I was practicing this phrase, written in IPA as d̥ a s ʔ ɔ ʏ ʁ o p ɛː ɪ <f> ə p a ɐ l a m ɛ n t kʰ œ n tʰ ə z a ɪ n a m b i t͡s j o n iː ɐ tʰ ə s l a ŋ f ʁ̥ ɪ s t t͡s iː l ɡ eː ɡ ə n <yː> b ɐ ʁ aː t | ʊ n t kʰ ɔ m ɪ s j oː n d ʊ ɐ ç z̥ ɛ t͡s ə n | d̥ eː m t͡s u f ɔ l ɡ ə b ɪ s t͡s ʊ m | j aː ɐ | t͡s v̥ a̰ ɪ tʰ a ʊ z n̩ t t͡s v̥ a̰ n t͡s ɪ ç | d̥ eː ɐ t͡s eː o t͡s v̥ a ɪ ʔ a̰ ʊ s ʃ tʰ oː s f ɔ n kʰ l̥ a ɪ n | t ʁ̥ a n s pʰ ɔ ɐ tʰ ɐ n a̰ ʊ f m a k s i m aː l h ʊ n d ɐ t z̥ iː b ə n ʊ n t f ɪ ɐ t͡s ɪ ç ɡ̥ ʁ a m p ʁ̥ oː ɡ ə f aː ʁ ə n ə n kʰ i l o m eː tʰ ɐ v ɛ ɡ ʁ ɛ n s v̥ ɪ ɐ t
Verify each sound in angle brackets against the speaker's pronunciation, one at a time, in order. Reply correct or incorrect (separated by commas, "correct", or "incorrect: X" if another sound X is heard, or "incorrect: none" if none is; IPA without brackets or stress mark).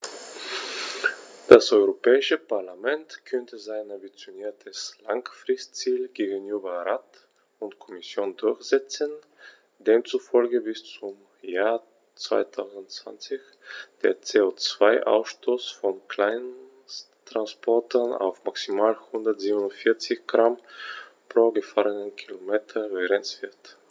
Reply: incorrect: ʃ, correct